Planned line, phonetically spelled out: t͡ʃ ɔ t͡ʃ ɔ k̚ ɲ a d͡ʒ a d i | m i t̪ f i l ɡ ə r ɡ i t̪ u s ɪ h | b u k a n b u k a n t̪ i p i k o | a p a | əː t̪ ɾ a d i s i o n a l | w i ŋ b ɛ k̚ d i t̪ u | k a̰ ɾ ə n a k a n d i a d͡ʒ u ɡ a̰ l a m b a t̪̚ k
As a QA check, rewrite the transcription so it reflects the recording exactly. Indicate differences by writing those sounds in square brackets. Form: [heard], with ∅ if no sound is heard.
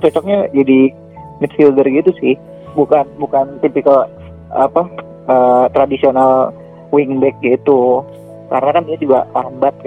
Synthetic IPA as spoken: t͡ʃ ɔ t͡ʃ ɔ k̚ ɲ a d͡ʒ a d i | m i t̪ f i l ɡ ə r ɡ i t̪ u s ɪ h | b u k a n b u k a n t̪ i p i k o | a p a | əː t̪ ɾ a d i s i o n a l | w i ŋ b ɛ k̚ [ɡ] i t̪ u | k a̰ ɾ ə n a k a n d i a d͡ʒ u ɡ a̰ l a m b a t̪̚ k